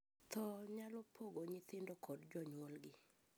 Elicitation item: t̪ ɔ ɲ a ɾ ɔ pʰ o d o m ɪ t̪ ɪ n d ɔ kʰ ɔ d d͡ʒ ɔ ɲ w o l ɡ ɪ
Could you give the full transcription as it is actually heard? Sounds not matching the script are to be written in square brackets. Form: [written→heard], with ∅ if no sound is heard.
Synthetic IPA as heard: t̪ ɔ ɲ a [ɾ→l] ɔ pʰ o [d→ɡ] o [m→ɲ] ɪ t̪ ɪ n d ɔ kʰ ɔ d d͡ʒ ɔ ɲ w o l ɡ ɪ